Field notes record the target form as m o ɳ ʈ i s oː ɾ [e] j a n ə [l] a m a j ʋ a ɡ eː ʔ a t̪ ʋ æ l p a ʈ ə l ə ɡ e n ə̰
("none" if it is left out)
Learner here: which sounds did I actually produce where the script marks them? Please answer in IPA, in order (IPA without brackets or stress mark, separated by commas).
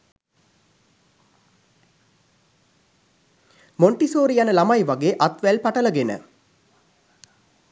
i, l